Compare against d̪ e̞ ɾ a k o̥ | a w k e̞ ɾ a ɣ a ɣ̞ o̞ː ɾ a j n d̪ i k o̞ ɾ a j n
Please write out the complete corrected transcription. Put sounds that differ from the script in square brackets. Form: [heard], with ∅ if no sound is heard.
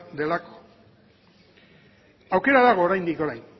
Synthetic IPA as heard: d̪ e̞ [l] a k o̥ | a w k e̞ ɾ a [ð] a ɣ̞ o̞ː ɾ a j n d̪ i k o̞ ɾ a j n